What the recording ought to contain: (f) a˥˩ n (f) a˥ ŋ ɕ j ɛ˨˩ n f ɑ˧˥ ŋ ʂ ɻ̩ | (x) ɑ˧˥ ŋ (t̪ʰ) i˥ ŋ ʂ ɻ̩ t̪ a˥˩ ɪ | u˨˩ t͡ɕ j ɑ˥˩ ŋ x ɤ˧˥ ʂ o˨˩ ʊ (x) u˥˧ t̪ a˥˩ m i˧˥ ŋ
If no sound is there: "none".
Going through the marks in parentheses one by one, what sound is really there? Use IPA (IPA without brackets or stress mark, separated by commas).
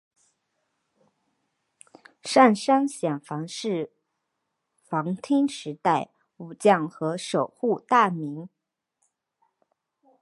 ʂ, ʂ, f, t̪ʰ, x